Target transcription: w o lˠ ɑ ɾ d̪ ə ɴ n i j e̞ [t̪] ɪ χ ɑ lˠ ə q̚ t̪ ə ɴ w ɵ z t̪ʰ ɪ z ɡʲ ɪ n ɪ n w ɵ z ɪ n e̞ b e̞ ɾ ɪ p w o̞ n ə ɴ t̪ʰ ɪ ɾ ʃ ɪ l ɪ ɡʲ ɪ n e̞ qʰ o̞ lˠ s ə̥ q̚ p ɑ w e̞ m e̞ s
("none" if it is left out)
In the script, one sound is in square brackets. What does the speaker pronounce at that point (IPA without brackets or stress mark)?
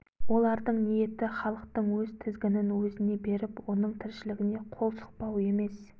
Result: t̪